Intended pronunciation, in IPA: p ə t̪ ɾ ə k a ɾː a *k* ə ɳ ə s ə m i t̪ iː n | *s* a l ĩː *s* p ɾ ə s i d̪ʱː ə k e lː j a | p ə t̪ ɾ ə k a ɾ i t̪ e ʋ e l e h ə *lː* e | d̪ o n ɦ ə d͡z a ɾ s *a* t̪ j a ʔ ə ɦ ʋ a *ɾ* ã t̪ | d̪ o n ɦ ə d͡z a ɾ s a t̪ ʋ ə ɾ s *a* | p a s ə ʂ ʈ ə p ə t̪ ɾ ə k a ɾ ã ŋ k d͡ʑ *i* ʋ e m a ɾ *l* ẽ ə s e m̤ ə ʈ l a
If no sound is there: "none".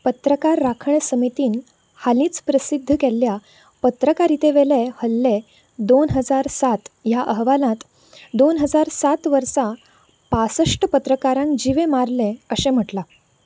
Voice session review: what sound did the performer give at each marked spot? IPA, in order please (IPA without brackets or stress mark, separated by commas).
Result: kʰ, h, t͡s, lː, a, l, a, i, l